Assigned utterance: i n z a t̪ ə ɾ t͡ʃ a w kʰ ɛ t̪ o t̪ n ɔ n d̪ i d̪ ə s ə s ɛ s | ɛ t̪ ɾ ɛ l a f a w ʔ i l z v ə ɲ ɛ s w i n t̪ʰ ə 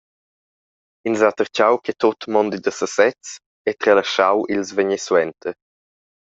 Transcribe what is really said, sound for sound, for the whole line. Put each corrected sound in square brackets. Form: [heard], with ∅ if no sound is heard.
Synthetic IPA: i n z a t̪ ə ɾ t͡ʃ a w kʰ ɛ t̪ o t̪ [m] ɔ n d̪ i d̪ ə s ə s ɛ [t͡s] | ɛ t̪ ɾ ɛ l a [ʃ] a w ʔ i l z v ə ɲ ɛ s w [ɛ] n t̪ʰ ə